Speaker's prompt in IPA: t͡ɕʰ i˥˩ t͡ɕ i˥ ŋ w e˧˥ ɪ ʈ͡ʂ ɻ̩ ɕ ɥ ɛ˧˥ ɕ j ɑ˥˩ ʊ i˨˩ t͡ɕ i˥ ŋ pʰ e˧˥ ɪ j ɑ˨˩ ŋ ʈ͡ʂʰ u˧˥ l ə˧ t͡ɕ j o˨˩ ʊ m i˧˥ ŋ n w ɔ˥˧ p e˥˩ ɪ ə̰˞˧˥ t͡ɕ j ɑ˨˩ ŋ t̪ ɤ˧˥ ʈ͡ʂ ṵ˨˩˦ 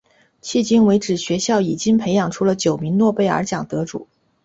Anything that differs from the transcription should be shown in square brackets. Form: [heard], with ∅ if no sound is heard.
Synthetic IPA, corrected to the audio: t͡ɕʰ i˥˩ t͡ɕ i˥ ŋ w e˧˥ ɪ ʈ͡ʂ ɻ̩ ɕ ɥ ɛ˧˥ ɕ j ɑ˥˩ ʊ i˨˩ t͡ɕ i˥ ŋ pʰ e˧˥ ɪ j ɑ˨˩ ŋ ʈ͡ʂʰ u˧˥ l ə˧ t͡ɕ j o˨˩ ʊ m i˧˥ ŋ n w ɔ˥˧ p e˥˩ ɪ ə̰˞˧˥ t͡ɕ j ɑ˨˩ ŋ t̪ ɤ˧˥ ʈ͡ʂ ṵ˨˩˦